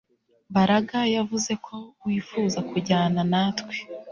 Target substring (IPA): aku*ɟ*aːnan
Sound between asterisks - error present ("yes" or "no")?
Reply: no